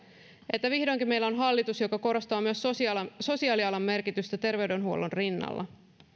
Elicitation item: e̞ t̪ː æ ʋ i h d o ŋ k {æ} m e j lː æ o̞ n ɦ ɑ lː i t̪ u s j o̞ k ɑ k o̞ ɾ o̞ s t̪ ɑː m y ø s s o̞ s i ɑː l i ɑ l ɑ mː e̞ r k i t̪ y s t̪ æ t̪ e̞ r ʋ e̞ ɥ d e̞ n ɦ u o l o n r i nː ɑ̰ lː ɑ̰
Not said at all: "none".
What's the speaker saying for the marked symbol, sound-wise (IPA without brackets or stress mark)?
i